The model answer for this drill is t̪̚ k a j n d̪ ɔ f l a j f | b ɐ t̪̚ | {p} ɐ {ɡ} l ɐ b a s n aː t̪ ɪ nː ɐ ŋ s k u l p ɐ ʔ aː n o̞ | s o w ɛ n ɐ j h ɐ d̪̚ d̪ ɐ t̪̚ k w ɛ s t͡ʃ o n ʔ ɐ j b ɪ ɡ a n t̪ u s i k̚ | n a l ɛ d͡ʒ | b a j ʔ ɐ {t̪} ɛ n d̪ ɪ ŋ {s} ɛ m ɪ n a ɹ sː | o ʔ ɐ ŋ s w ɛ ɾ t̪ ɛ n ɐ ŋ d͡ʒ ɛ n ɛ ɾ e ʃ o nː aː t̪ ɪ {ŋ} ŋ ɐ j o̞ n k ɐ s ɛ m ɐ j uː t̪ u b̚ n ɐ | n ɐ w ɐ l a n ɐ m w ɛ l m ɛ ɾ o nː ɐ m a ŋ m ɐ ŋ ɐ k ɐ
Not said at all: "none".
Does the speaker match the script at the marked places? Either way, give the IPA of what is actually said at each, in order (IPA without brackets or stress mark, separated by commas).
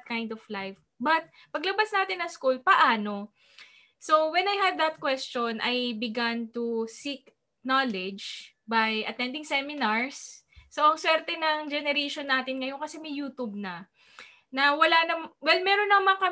p, ɡ, t̪, s, n